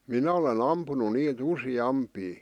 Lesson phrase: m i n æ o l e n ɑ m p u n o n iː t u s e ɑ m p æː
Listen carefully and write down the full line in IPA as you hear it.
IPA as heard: m i n æ o l e n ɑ m p u n u n iː t u s i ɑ m p iː

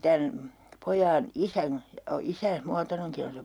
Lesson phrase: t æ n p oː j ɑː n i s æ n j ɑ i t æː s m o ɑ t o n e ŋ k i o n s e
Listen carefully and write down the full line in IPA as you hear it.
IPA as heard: t æ n p o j ɑː n i s æ n j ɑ i s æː s m u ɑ t o n e ŋ k i o n s e

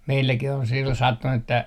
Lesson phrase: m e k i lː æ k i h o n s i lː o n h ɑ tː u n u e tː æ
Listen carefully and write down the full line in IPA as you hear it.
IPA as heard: m e i lː æ k i h o n s i lː o n s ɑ tː u n u e tː æ

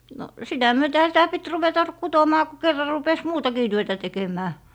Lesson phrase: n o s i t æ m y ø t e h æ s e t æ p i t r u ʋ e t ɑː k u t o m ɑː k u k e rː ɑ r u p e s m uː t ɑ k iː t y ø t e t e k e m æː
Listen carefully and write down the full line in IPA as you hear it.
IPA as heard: n o s i t æ m y ø t e h æ s i t æ p i t r u ʋ e t ɑ k u t o m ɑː k u k e rː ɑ r u p e s m uː t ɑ k iː t y ø t æ t e k e m æː

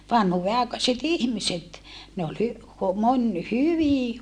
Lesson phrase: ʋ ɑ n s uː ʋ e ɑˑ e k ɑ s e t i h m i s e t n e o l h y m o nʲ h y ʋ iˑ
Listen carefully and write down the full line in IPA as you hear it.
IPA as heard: ʋ ɑ n h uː ʋ e ɑˑ e k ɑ s e t i h m i s e t n e o l h y m o nʲ h y ʋ iˑ

